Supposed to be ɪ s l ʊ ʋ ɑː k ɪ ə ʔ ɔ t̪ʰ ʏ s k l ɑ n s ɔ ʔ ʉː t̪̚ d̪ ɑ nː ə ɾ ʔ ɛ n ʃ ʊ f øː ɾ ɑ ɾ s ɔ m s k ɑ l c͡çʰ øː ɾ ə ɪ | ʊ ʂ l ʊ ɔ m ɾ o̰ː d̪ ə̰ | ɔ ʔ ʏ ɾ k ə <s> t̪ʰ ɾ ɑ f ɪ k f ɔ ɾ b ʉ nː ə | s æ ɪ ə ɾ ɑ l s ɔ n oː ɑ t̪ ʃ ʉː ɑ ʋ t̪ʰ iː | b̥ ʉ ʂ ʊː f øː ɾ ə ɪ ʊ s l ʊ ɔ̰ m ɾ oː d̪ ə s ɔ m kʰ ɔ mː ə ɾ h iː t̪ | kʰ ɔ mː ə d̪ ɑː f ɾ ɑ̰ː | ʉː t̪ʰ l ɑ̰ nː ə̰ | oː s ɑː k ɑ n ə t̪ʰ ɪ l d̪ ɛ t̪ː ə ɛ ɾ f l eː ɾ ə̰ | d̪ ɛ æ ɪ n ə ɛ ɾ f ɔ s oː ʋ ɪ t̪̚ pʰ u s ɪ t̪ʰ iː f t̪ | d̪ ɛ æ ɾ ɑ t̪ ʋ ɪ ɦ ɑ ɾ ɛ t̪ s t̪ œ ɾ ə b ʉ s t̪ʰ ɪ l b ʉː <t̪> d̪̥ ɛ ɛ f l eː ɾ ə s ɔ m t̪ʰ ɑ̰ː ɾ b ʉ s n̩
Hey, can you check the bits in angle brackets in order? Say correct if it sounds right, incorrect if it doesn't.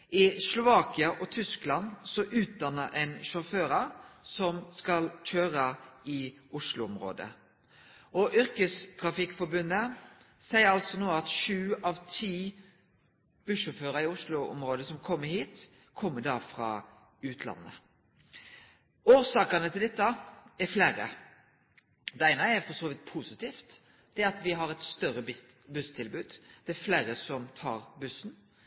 correct, incorrect: d̪

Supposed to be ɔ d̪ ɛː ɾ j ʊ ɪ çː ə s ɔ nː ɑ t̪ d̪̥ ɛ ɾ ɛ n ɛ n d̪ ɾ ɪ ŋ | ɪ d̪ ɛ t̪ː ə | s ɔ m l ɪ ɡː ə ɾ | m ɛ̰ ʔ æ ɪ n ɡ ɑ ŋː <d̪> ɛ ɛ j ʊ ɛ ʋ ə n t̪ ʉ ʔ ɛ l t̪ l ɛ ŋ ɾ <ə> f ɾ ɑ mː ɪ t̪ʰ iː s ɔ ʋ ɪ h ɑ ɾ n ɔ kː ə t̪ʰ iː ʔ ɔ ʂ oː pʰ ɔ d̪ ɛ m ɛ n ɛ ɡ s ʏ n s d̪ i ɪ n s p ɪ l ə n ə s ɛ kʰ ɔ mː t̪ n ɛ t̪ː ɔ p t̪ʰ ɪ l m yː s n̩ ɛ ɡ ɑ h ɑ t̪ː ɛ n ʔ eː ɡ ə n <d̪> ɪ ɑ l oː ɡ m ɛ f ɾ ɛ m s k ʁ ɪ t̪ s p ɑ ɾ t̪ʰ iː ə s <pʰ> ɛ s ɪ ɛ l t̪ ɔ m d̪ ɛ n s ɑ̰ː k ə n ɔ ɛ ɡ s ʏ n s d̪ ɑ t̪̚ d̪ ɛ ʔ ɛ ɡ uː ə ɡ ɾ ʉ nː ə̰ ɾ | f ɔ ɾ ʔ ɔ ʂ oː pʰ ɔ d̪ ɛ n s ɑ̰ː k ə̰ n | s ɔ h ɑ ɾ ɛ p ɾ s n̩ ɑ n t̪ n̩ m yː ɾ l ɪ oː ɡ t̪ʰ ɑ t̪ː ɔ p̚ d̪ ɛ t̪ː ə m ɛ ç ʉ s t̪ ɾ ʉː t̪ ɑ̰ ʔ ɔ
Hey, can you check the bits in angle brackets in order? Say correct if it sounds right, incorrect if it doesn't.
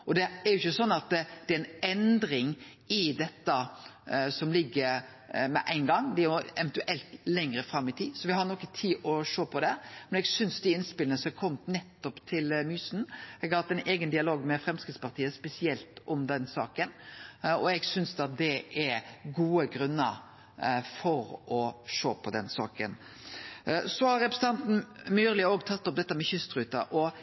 correct, correct, correct, incorrect: p

